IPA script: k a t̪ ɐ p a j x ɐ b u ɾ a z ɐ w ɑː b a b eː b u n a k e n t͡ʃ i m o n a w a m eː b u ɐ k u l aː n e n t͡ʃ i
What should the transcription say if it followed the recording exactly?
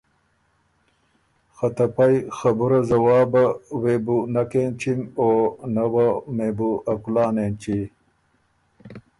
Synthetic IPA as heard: x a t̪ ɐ p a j x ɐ b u ɾ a z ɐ w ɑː b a w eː b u n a k e n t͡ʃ i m o n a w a m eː b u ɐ k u l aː n e n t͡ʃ i